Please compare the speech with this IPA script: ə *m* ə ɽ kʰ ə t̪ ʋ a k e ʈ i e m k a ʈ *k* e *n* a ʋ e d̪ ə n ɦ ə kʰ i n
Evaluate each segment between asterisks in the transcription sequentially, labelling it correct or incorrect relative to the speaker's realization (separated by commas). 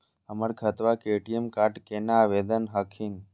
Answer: correct, correct, correct